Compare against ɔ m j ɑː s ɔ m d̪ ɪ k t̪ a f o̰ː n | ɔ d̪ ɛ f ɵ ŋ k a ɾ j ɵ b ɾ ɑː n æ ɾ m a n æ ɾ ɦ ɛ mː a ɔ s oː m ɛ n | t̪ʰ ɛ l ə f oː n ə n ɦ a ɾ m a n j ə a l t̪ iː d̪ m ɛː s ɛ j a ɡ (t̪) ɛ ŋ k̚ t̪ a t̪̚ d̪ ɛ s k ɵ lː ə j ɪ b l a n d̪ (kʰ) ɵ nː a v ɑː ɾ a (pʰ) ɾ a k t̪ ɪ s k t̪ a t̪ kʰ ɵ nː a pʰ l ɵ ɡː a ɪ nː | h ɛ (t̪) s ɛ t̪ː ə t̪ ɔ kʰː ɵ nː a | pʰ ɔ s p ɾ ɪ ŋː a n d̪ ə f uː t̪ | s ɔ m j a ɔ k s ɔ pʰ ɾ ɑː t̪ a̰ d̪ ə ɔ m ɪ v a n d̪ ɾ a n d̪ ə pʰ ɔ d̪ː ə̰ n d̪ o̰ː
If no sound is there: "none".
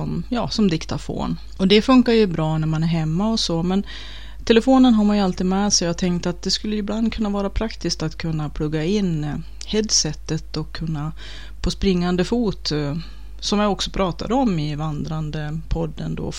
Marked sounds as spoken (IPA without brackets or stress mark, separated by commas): t̪ʰ, kʰ, pʰ, d̪